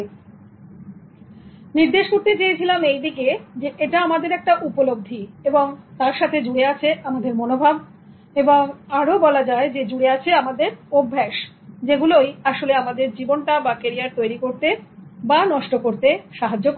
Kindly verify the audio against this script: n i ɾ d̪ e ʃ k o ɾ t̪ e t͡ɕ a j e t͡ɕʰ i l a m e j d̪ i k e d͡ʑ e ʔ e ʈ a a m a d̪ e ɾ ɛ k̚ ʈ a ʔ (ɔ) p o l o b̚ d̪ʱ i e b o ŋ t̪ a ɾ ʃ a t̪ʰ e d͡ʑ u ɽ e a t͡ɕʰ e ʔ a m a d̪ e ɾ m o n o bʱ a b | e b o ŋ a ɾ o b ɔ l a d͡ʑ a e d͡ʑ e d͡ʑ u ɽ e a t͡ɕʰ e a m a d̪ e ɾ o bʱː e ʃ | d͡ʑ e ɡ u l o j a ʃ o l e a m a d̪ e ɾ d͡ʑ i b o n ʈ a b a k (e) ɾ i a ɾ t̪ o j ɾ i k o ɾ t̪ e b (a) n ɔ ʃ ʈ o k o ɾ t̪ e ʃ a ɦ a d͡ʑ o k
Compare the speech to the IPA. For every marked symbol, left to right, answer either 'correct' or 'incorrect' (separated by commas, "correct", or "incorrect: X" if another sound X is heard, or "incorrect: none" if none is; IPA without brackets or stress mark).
incorrect: u, correct, correct